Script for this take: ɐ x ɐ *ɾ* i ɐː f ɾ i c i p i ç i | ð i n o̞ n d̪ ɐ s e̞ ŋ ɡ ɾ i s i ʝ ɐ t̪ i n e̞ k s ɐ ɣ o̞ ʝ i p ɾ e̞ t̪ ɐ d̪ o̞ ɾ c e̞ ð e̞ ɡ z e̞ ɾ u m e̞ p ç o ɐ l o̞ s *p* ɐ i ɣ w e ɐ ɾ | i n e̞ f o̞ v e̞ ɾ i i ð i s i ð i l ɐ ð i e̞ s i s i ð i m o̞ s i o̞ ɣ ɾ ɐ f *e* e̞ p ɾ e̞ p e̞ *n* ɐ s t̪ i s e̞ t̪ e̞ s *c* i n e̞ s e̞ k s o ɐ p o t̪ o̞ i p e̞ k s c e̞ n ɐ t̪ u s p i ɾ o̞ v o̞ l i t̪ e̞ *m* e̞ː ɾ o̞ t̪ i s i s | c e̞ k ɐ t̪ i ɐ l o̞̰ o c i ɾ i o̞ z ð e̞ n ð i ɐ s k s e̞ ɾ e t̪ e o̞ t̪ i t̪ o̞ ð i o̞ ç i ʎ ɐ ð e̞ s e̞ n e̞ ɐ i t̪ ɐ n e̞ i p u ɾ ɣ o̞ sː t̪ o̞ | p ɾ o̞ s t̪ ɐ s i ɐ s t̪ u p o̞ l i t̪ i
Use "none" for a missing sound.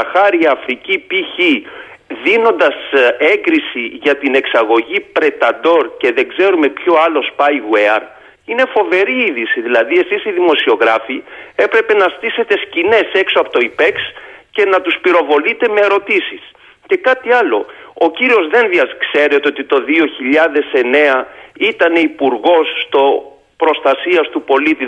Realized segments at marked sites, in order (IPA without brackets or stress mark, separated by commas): ɾ, p, i, n, c, m